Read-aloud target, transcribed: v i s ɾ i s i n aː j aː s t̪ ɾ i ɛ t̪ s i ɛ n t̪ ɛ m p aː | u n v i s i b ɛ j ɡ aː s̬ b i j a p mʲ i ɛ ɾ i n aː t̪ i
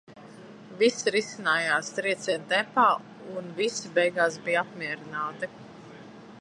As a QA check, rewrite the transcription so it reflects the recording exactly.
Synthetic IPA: v i s ɾ i s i n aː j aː s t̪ ɾ i ɛ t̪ s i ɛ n t̪ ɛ m p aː | u n v i s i b ɛ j ɡ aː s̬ b i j a p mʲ i ɛ ɾ i n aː t̪ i